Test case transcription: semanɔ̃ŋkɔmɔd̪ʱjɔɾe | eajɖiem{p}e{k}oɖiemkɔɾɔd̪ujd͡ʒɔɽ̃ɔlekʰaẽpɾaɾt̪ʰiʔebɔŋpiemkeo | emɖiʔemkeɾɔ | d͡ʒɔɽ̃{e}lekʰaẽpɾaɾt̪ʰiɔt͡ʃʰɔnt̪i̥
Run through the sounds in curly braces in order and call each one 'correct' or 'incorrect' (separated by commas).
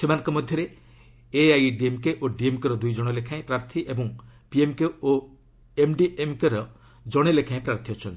incorrect, incorrect, correct